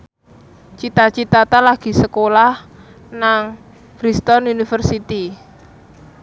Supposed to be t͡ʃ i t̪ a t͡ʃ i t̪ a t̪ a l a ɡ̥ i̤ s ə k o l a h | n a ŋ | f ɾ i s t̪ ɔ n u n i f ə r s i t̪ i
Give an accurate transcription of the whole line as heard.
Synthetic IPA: t͡ʃ i t̪ a t͡ʃ i t̪ a t̪ a l a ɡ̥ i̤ s ə k o l a h | n a ŋ | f ɾ i s t̪ ɔ n u n i f ə r s i t̪ i